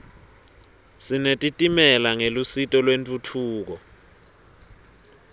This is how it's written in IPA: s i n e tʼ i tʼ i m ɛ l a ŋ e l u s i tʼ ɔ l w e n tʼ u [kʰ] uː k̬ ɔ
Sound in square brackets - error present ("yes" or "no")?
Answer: yes